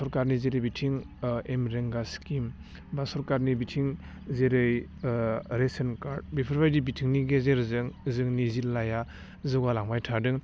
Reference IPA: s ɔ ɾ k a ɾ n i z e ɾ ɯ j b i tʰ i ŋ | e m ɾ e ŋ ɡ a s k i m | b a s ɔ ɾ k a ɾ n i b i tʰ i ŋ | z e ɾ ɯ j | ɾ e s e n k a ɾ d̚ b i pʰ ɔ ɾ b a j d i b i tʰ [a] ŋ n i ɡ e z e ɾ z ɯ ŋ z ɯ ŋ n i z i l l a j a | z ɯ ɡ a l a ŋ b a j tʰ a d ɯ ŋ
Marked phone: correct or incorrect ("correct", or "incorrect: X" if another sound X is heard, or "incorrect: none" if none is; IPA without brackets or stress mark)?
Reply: incorrect: i